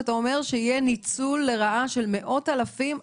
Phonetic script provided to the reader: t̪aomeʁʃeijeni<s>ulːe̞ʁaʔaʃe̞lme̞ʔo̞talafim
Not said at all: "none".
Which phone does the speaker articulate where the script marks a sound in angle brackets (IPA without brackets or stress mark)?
t͡s